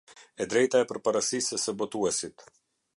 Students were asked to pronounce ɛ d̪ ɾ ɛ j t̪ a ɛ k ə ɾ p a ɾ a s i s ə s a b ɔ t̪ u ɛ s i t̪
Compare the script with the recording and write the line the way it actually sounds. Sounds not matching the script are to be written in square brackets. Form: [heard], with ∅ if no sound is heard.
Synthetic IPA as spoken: ɛ d̪ ɾ ɛ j t̪ a ɛ [p] ə ɾ p a ɾ a s i s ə s [ə] b ɔ t̪ u ɛ s i t̪